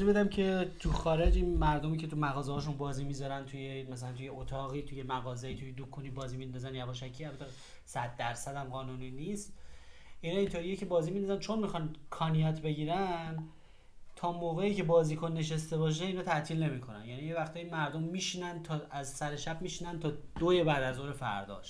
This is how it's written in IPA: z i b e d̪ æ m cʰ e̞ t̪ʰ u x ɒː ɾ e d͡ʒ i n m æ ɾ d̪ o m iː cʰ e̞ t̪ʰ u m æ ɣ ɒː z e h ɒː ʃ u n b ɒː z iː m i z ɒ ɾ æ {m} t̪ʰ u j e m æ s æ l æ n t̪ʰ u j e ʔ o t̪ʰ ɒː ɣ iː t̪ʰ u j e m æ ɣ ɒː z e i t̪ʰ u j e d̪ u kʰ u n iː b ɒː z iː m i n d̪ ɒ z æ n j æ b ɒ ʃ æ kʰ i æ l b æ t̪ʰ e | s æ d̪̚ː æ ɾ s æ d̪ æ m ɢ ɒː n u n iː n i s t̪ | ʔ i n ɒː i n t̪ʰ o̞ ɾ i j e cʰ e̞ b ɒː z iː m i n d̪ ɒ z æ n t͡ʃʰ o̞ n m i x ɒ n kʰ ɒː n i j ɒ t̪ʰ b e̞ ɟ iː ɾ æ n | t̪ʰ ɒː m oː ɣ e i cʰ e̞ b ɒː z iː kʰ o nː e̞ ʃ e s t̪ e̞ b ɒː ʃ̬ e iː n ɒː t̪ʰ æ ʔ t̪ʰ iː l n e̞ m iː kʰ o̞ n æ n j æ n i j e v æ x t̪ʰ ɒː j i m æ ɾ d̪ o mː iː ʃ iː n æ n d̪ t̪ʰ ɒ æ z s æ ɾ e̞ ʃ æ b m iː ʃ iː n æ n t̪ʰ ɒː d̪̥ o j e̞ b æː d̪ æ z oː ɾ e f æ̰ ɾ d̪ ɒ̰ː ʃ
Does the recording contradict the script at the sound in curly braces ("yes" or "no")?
yes